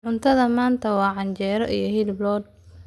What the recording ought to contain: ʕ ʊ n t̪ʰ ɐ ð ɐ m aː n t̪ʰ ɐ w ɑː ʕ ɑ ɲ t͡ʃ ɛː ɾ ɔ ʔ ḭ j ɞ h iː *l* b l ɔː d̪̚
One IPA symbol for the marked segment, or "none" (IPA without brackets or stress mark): l